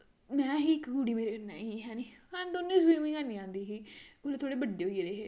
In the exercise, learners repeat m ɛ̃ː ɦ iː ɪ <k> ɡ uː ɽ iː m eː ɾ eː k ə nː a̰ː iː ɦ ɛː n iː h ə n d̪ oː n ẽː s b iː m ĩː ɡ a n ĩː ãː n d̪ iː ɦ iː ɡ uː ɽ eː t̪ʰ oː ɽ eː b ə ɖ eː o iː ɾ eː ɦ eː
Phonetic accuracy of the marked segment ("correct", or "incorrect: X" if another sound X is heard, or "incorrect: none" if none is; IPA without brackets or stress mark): correct